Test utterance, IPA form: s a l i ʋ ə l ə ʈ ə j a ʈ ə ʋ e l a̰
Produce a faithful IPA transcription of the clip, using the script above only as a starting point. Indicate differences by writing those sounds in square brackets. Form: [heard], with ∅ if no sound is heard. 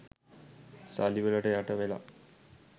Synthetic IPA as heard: s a l i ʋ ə l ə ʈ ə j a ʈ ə ʋ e l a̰